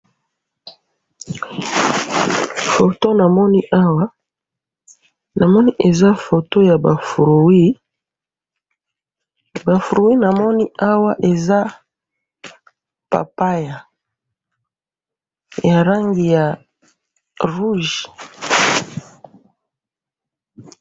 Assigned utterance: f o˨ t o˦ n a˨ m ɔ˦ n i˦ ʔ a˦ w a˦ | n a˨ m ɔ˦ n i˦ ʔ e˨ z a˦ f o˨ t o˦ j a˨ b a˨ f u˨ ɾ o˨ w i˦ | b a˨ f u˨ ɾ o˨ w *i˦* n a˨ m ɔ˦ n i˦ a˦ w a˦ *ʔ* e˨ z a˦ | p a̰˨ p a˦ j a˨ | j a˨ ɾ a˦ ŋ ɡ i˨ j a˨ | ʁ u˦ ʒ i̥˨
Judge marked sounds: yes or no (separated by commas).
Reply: yes, yes